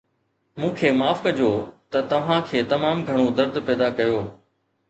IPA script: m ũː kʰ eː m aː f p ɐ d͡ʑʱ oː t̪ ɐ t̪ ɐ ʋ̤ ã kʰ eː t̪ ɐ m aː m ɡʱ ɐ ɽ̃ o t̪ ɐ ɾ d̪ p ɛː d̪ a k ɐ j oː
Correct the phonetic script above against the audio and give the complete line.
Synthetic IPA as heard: m ũː kʰ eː m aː f k ɐ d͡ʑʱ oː t̪ ɐ t̪ ɐ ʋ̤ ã kʰ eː t̪ ɐ m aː m ɡʱ ɐ ɽ̃ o d̪ ɐ ɾ d̪ p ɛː d̪ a k ɐ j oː